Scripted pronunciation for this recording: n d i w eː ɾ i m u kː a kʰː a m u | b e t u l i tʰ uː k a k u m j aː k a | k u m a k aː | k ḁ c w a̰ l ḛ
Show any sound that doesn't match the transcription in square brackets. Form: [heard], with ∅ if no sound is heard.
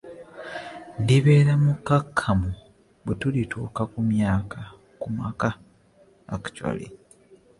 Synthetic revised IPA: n d i [β] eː ɾ [a] m u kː a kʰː a m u | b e t u l i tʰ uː k a k u m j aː k a | k u m a k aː | k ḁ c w a̰ l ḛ